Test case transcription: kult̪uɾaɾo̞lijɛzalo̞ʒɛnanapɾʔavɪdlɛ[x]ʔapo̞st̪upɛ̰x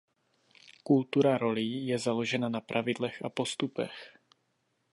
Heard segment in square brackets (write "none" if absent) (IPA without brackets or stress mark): x